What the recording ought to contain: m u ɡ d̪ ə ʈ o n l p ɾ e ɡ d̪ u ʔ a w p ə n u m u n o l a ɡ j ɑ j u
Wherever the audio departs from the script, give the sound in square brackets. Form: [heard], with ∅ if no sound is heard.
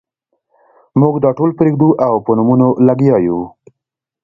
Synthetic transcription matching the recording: m u ɡ d̪ [ɑ] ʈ o [∅] l p ɾ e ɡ d̪ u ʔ a w p ə n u m u n o l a ɡ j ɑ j u